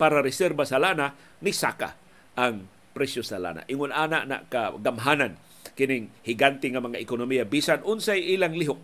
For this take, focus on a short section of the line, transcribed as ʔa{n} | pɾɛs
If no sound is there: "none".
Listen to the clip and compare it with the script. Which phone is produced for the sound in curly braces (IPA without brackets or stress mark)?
ŋ